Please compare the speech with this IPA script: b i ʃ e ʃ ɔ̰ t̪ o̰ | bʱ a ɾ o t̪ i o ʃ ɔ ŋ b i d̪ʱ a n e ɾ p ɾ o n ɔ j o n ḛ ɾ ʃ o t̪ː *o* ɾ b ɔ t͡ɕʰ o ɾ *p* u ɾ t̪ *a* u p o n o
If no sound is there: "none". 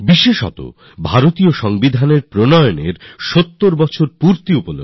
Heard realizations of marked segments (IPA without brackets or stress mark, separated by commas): o, p, i